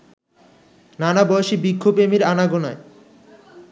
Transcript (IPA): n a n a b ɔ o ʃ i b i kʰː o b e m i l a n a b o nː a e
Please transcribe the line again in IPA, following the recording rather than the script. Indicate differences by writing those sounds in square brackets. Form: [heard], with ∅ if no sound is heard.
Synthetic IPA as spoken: n a n a b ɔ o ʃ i b i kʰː o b e m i [ɾ] a n a [ɡ] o [n] a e